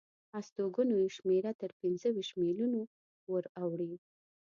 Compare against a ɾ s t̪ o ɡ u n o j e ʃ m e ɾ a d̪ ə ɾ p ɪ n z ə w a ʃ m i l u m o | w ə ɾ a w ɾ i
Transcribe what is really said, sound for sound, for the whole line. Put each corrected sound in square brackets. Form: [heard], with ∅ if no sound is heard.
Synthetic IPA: a [∅] s t̪ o ɡ u n o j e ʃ m e ɾ a [t̪] ə ɾ p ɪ n z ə w [i] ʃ m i l u [n] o | w ə ɾ a w [ɽ] i